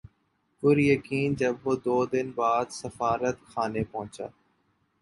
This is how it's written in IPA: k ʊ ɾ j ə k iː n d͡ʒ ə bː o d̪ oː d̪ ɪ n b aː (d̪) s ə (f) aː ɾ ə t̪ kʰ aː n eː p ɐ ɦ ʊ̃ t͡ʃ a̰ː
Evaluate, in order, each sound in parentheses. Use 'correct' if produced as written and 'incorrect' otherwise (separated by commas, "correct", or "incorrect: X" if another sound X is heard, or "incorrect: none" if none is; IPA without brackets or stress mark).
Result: correct, correct